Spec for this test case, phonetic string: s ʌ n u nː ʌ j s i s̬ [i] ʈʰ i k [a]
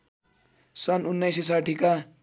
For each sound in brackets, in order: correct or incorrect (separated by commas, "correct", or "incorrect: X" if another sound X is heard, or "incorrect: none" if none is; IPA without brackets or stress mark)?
incorrect: a, correct